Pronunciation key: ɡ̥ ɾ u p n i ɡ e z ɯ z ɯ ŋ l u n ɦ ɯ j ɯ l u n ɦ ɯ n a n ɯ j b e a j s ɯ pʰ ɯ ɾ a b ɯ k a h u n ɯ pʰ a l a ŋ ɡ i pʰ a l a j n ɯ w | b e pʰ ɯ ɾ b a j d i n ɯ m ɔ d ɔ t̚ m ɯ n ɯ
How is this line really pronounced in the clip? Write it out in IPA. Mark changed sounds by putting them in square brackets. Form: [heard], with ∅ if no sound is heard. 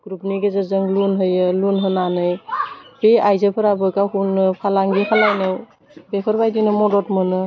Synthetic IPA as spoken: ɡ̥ ɾ u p n i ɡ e z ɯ z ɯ ŋ l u n ɦ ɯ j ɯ l u n ɦ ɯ n a n ɯ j b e a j [z] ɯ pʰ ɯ ɾ a b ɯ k a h u n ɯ pʰ a l a ŋ ɡ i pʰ a l a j n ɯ w | b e pʰ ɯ ɾ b a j d i n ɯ m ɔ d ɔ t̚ m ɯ n ɯ